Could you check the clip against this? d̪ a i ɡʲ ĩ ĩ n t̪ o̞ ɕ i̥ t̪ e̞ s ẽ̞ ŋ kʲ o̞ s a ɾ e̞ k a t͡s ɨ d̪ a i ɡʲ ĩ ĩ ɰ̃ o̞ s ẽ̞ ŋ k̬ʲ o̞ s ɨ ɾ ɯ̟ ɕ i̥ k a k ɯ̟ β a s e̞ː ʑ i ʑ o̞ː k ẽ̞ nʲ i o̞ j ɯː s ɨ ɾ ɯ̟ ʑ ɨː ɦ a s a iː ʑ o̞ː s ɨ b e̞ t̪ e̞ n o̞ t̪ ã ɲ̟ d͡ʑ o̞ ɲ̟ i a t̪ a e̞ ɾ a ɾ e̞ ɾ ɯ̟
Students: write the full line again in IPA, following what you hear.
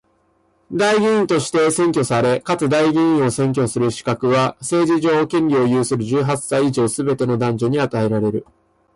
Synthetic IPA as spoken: d̪ a i ɡʲ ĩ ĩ n t̪ o̞ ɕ i̥ t̪ e̞ s ẽ̞ ŋ kʲ o̞ s a ɾ e̞ k a t͡s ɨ d̪ a i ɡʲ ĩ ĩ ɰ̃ o̞ s ẽ̞ ŋ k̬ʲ o̞ s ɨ ɾ ɯ̟ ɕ i̥ k a k ɯ̟ β a s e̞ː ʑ i ʑ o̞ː k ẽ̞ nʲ i o̞ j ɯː s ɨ ɾ ɯ̟ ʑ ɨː ɦ a s a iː ʑ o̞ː s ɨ b e̞ t̪ e̞ n o̞ d̪ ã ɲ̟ d͡ʑ o̞ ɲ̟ i a t̪ a e̞ ɾ a ɾ e̞ ɾ ɯ̟